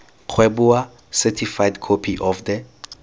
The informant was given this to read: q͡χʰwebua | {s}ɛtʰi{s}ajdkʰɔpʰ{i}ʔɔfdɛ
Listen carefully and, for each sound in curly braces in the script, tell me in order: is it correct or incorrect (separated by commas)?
correct, incorrect, correct